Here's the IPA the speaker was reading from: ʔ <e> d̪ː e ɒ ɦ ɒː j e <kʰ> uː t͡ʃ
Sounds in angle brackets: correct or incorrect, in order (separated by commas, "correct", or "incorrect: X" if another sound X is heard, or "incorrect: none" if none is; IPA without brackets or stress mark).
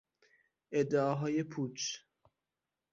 correct, incorrect: pʰ